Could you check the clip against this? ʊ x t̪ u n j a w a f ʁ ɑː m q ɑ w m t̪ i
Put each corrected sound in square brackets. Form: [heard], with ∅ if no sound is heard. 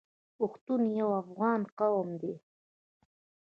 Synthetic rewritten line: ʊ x t̪ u n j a w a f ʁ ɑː [n] q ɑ w m [d̪] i